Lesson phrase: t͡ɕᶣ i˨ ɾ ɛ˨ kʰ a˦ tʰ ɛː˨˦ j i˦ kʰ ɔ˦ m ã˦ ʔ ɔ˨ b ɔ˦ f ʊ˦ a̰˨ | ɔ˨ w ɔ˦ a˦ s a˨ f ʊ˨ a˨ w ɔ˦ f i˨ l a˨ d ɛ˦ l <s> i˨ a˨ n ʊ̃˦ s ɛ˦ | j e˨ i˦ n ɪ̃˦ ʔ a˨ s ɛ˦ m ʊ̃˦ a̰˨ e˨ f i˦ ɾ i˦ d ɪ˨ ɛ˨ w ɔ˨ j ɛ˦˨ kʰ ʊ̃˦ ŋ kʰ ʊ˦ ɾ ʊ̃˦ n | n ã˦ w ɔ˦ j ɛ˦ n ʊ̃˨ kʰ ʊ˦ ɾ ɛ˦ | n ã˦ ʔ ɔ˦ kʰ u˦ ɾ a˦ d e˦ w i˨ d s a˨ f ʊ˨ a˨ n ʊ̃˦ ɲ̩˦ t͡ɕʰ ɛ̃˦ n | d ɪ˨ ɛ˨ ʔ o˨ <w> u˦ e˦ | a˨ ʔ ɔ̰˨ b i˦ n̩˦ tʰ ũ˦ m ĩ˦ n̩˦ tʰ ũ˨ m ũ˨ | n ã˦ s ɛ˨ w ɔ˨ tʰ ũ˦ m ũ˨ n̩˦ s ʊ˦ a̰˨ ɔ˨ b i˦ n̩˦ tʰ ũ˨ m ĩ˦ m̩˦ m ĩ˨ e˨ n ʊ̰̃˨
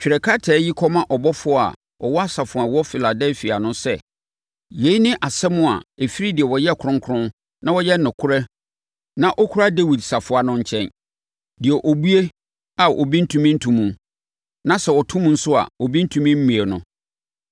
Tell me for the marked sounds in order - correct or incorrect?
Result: incorrect: f, incorrect: b

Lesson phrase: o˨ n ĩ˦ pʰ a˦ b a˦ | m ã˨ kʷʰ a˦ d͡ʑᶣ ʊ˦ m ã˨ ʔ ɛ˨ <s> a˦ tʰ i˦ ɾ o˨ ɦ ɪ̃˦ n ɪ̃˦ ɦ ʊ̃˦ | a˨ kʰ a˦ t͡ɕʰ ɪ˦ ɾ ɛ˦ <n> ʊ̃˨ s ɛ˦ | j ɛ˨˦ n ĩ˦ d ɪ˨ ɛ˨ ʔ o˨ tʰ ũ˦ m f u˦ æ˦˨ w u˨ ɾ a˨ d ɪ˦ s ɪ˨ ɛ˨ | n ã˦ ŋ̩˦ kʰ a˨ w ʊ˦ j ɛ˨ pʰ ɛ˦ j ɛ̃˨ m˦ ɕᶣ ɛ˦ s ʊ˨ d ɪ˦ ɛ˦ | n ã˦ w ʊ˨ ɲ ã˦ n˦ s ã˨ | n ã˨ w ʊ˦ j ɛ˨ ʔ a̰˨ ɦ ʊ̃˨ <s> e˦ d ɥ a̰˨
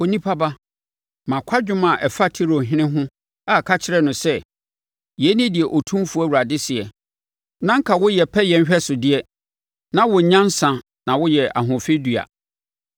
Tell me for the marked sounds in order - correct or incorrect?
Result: incorrect: f, correct, incorrect: f

